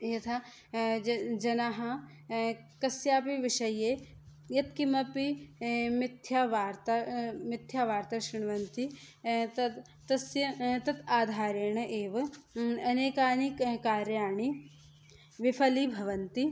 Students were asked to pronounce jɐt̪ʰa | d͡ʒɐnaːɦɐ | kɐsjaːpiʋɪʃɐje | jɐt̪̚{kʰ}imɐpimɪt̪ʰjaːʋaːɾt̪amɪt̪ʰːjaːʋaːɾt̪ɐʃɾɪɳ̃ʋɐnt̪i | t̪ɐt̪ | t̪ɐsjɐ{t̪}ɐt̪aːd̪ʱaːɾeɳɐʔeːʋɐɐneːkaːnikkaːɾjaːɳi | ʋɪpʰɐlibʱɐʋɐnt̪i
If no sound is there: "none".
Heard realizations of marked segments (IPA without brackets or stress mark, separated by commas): k, t̪